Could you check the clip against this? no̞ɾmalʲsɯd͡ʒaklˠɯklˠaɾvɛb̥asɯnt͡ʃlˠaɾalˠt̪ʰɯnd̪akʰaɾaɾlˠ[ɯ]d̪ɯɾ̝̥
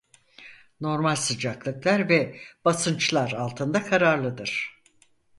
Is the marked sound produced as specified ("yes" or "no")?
yes